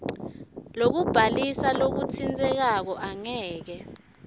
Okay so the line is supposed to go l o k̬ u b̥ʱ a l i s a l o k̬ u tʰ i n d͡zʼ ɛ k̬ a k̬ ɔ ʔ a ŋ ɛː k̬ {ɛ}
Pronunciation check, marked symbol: correct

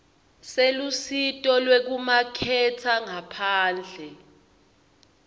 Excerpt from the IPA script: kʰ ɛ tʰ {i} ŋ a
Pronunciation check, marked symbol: incorrect: a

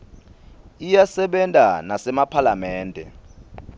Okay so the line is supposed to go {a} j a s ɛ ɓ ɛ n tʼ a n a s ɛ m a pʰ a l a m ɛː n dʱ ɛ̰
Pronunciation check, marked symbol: incorrect: i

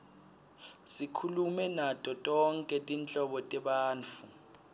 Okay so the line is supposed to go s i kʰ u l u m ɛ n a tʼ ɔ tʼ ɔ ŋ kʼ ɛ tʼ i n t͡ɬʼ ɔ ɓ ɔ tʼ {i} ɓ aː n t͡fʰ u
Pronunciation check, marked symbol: incorrect: ɛ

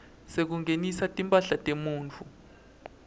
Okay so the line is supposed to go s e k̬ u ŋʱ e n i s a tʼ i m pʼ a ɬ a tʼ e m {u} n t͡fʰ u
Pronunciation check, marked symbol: incorrect: uː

